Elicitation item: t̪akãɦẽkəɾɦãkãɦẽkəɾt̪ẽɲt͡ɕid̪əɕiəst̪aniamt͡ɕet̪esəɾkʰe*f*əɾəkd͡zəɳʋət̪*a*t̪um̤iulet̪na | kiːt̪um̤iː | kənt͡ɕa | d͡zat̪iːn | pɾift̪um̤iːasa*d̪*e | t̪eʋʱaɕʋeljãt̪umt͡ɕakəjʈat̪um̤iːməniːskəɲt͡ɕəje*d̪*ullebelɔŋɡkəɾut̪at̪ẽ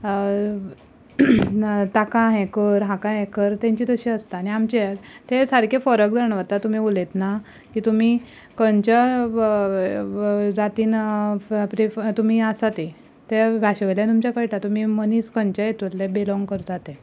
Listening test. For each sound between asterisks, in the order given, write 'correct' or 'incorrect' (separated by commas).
correct, correct, incorrect, incorrect